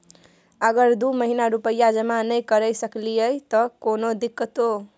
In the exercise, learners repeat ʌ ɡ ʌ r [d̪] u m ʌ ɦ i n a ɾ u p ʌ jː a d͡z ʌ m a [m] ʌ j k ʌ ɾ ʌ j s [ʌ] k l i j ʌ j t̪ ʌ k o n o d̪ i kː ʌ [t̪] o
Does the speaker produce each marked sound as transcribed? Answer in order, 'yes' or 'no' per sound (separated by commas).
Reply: yes, no, yes, yes